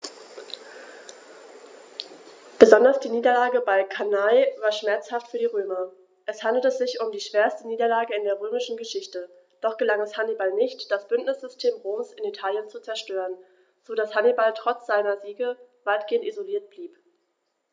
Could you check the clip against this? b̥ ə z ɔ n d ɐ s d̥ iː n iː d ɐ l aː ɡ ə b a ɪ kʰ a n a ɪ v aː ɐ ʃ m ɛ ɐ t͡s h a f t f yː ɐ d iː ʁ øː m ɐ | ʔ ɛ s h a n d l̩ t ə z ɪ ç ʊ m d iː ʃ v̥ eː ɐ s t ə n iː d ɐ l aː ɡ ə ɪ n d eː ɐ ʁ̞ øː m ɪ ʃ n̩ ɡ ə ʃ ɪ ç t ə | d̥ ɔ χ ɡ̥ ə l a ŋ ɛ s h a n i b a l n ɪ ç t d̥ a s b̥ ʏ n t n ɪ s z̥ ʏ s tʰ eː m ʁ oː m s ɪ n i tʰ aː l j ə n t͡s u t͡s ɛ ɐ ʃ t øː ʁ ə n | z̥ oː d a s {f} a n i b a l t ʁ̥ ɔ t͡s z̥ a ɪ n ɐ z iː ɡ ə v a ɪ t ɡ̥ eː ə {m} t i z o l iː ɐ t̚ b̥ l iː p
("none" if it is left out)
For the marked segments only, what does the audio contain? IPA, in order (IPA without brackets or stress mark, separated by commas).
h, n